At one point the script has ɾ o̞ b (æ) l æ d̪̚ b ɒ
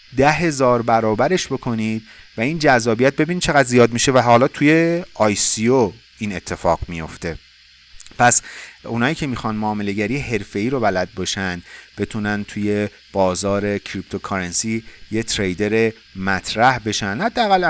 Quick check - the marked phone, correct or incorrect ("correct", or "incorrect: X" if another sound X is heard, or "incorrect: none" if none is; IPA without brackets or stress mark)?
correct